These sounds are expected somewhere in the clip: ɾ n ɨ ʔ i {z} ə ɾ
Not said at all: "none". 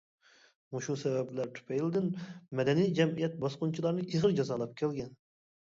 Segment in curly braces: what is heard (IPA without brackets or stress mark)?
ʁ